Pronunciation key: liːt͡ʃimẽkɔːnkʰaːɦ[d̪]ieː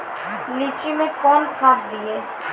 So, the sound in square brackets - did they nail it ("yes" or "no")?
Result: yes